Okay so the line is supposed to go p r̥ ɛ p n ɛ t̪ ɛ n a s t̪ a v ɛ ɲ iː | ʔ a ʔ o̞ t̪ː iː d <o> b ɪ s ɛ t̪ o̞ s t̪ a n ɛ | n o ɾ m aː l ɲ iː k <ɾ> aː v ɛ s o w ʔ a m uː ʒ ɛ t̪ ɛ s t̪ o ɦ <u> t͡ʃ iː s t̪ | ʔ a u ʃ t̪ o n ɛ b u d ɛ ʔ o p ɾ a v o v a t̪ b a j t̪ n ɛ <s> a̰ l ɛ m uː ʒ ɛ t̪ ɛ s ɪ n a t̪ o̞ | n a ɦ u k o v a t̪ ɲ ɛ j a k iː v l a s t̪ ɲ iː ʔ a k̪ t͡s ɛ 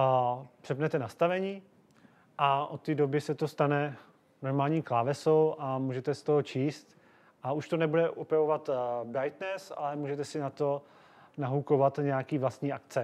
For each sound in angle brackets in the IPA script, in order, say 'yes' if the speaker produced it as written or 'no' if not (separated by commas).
yes, no, no, yes